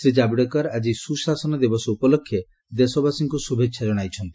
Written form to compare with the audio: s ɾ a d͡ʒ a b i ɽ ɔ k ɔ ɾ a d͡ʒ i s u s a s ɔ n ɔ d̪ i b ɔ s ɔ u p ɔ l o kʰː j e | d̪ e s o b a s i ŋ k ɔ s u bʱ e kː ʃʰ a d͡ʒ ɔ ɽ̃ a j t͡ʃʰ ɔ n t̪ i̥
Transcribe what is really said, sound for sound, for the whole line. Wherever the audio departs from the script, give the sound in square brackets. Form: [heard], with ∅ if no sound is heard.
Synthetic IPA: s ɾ [i] d͡ʒ a b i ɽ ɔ k ɔ ɾ a d͡ʒ i s u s a s ɔ n ɔ d̪ i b ɔ s ɔ u p ɔ l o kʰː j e | d̪ e s [ɔ] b a s i ŋ k [u] s u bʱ e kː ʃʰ a d͡ʒ ɔ ɽ̃ a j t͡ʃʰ ɔ n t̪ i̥